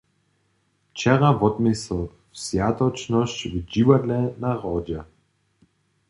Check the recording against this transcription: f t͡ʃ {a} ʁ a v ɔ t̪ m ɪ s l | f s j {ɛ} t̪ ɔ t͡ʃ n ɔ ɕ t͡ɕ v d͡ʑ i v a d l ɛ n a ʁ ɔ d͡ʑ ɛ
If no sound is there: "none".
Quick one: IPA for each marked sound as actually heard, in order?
ɛ, a

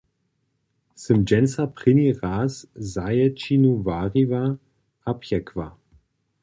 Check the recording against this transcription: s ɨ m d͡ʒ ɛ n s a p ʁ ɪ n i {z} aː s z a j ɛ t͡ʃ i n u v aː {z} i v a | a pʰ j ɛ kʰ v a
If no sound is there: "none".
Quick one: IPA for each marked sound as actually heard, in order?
ʁ, ʁ

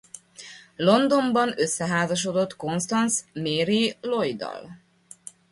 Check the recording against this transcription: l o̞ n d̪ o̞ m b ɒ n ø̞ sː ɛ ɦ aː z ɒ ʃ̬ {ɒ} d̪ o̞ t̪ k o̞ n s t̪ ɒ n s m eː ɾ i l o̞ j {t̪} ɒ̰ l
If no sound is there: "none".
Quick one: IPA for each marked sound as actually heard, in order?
o, d̪

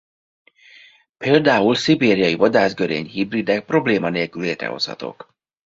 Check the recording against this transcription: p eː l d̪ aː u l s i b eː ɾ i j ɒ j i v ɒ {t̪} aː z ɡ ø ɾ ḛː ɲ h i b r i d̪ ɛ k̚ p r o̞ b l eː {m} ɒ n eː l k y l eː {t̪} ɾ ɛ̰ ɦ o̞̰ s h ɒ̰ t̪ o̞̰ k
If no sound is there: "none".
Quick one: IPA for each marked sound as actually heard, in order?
d̪, m, t̪

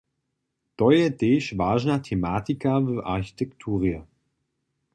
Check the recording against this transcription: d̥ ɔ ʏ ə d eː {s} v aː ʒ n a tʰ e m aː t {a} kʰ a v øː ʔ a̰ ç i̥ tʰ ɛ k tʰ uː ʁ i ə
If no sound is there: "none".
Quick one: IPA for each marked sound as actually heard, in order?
ʃ, i

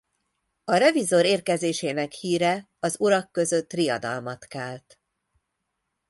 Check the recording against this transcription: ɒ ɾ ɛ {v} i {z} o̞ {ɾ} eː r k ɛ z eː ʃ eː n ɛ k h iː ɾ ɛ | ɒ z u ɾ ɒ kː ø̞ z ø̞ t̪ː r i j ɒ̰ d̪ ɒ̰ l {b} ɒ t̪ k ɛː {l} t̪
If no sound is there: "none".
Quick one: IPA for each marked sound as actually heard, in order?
v, z, ɾ, m, l

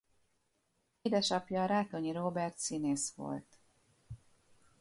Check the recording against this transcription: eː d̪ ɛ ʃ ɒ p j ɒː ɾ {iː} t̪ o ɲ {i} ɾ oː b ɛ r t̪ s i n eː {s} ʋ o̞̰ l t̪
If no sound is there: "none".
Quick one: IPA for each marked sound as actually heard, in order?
aː, i, s

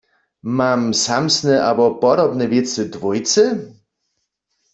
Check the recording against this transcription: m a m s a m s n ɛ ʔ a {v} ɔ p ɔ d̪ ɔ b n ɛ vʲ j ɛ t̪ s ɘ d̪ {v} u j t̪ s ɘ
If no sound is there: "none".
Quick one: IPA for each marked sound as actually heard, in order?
b, v

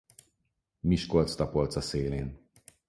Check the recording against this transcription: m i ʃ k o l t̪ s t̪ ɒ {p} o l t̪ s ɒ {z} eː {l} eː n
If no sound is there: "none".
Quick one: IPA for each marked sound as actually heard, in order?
p, s, l

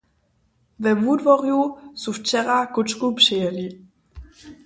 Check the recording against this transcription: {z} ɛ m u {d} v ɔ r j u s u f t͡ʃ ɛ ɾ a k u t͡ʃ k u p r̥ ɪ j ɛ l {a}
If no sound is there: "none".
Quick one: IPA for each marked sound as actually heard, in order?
v, d, i

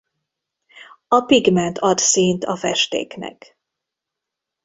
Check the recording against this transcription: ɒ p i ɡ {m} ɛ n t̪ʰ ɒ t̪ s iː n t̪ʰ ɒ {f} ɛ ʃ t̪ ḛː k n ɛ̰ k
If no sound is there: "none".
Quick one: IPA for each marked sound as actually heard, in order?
m, f

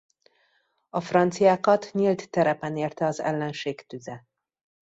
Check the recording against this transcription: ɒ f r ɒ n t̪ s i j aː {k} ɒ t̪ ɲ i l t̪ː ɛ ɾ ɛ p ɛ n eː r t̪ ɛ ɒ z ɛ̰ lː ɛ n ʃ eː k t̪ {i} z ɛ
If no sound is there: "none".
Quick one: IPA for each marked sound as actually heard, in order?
k, y

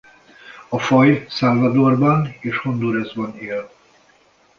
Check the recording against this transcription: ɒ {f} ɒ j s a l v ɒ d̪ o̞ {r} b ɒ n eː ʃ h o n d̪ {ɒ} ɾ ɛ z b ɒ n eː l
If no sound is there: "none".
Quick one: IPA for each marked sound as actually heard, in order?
f, r, u

